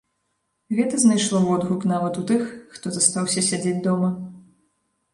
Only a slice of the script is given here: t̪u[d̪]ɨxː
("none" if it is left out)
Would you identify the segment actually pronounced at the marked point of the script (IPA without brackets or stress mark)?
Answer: t̪